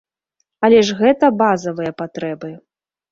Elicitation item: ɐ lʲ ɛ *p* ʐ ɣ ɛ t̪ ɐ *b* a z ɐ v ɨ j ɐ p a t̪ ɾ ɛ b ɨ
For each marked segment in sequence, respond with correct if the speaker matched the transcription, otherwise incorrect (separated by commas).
incorrect, correct